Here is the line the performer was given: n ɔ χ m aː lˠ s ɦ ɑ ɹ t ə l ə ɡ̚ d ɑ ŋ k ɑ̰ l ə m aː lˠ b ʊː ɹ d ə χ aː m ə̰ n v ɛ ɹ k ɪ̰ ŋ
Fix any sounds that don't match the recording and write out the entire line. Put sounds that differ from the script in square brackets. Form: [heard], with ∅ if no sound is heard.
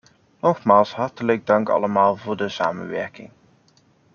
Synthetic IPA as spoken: n ɔ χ m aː lˠ s ɦ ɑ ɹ t ə l ə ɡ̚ d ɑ ŋ k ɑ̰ l ə m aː lˠ [v] ʊː ɹ d ə [s] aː m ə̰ n [ʋ] ɛ ɹ k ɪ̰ ŋ